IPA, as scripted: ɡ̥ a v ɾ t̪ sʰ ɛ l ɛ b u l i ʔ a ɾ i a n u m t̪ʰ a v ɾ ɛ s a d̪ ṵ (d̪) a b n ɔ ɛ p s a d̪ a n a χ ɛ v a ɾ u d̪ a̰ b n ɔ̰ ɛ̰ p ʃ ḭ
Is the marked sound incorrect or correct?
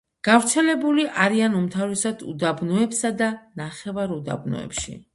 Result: correct